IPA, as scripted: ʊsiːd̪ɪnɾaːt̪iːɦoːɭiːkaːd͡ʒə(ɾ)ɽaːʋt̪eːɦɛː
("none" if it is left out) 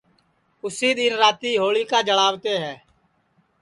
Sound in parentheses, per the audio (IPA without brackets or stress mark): none